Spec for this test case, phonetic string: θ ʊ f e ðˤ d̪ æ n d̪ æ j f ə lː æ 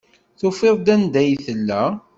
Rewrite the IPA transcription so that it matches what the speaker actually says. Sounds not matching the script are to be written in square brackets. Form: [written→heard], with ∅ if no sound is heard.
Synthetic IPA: θ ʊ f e ðˤ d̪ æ n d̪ æ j [f→θ] ə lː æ